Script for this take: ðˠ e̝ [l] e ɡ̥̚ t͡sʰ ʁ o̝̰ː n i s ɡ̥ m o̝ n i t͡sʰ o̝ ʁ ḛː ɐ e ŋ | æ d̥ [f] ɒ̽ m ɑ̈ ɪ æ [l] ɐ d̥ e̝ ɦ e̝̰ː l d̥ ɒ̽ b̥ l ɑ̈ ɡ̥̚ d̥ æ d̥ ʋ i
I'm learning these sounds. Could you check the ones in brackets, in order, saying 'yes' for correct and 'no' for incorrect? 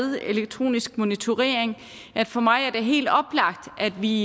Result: yes, yes, no

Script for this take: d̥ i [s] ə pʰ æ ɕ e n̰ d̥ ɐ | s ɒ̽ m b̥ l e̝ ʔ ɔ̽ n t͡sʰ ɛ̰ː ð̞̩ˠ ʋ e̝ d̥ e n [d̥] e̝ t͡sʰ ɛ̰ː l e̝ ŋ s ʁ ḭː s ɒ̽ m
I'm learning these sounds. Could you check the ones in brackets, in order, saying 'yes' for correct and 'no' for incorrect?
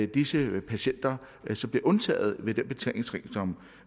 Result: yes, no

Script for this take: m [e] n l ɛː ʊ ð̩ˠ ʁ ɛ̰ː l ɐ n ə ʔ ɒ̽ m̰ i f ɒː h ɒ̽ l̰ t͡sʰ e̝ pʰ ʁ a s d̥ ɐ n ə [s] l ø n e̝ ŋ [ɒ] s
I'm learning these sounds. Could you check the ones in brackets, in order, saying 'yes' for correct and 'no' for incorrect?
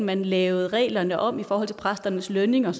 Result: no, yes, yes

